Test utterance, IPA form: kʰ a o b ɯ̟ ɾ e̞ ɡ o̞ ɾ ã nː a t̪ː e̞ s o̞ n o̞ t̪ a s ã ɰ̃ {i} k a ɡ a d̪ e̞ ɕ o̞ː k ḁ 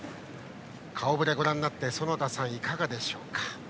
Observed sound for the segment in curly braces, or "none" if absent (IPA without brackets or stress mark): i